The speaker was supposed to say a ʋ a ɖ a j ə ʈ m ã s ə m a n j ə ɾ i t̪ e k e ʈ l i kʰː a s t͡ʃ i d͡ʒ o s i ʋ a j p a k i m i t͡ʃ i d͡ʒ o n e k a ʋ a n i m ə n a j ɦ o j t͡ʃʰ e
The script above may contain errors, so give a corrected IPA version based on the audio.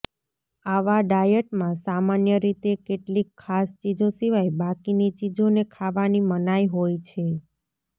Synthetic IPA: a ʋ a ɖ a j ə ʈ m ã s a m a n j ə ɾ i t̪ e k e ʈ l i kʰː a s t͡ʃ i d͡ʒ o s i ʋ a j b a k i n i t͡ʃ i d͡ʒ o n e kʰ a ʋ a n i m ə n a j ɦ o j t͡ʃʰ e